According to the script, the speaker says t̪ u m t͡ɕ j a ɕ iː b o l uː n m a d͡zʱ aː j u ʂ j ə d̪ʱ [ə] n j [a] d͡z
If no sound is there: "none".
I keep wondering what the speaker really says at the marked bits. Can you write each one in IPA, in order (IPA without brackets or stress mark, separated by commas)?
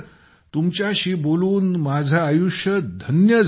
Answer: ə, ə